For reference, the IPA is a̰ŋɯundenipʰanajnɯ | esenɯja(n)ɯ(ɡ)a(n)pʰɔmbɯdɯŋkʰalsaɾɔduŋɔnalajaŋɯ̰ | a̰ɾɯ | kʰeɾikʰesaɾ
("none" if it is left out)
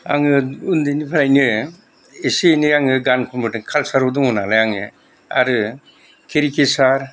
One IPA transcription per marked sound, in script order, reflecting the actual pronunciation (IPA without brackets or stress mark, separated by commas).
ŋ, ɡ, n